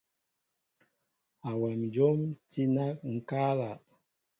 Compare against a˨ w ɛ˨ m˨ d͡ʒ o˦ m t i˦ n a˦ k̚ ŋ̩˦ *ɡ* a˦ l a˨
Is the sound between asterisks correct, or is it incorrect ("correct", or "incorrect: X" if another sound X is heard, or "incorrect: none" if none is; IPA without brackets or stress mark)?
incorrect: k